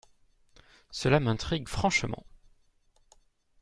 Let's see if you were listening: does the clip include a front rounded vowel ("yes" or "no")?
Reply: no